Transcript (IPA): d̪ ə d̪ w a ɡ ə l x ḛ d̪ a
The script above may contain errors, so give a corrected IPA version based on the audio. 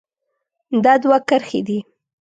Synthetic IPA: d̪ ɑ d̪ w a k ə ɾ x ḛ d̪ i